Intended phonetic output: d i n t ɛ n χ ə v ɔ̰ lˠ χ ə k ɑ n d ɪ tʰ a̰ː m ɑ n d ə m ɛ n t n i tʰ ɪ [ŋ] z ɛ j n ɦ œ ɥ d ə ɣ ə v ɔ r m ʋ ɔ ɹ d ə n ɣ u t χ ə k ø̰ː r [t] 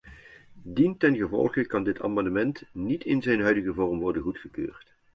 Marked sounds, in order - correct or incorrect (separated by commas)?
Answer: incorrect, correct